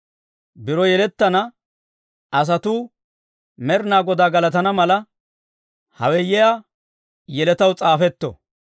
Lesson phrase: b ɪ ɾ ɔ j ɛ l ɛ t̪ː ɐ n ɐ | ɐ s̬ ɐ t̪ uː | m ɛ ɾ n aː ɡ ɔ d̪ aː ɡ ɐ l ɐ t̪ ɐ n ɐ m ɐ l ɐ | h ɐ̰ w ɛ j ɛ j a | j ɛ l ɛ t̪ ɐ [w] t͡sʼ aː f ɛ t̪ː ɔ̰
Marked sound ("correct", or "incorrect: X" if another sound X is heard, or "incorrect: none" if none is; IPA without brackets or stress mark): correct